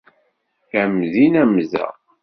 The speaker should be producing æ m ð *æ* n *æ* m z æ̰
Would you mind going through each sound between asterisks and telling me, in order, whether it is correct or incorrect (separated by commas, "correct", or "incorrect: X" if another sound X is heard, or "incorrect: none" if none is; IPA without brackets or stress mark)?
incorrect: i, correct